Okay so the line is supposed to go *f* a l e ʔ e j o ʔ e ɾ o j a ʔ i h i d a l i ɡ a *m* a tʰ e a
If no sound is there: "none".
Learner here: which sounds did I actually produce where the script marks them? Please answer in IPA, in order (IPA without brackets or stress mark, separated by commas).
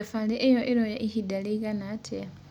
f, n